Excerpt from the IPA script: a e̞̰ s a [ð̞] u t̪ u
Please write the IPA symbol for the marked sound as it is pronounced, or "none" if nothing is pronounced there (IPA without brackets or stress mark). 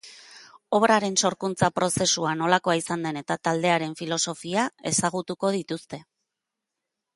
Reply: ɣ̞